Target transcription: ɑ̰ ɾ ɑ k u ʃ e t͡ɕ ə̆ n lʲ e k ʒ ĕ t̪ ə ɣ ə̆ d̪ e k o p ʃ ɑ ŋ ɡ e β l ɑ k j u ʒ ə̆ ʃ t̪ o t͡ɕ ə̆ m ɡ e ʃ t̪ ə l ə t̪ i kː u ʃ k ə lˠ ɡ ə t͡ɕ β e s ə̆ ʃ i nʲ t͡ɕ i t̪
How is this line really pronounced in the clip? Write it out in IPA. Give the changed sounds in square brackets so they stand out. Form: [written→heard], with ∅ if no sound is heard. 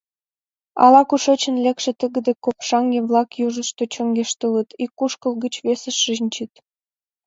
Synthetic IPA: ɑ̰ [ɾ→l] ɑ k u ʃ e t͡ɕ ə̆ n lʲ e k [ʒ→ʃ] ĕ t̪ ə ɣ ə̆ d̪ e k o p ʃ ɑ ŋ ɡ e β l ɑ k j u ʒ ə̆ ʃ t̪ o t͡ɕ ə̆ [m→ŋ] ɡ e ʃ t̪ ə l ə t̪ i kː u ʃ k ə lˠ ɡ ə t͡ɕ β e s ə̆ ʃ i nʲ t͡ɕ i t̪